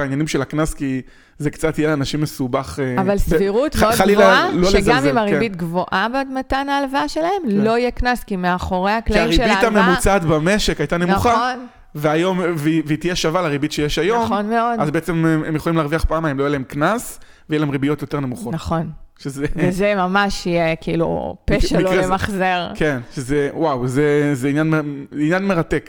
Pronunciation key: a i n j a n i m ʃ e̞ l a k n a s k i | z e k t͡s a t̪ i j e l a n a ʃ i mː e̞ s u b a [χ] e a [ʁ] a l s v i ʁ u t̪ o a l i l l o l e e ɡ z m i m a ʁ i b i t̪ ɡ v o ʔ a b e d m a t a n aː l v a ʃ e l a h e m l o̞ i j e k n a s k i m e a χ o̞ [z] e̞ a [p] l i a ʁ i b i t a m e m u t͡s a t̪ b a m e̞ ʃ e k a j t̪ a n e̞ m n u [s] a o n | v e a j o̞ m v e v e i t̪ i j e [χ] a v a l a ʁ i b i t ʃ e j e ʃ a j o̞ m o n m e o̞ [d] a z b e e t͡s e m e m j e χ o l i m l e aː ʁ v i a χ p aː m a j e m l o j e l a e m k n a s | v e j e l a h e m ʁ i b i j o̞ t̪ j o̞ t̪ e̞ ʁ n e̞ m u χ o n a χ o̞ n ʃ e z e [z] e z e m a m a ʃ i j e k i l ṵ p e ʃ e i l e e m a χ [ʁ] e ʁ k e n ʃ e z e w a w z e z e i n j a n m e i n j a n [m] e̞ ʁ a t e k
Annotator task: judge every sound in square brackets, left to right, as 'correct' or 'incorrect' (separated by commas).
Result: correct, incorrect, incorrect, incorrect, incorrect, incorrect, correct, incorrect, incorrect, correct